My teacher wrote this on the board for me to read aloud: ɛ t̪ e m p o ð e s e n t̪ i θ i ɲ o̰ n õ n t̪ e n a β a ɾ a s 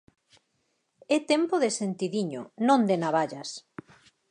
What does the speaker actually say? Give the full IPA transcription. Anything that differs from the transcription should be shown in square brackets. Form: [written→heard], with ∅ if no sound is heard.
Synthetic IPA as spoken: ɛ t̪ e m p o ð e s e n t̪ i [θ→ð] i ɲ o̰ n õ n [t̪→d̪] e n a β a [ɾ→ʎ] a s